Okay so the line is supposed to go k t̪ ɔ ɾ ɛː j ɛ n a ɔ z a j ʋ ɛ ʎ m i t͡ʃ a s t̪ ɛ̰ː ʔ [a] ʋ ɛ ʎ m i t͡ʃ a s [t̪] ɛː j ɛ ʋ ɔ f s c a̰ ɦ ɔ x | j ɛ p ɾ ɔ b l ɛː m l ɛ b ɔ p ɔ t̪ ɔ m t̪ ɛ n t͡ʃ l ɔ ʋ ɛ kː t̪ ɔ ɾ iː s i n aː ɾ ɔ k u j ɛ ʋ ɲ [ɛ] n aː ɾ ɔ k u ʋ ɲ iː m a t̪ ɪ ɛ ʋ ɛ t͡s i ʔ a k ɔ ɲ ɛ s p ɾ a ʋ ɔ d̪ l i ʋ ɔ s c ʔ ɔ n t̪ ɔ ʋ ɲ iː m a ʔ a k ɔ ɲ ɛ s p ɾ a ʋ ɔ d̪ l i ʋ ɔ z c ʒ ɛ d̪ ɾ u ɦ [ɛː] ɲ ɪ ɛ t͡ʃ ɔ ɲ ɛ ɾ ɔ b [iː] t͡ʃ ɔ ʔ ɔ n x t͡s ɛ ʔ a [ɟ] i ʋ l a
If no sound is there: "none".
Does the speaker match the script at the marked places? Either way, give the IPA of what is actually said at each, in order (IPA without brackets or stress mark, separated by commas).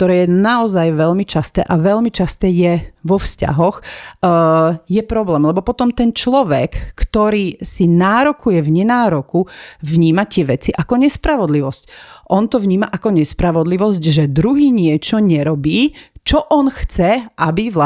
a, t̪, ɛ, iː, iː, b